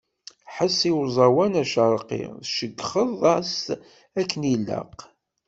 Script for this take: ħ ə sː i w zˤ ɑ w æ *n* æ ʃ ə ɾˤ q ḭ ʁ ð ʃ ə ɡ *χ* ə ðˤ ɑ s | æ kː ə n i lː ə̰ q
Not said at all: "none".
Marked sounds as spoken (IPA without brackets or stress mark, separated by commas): n, χ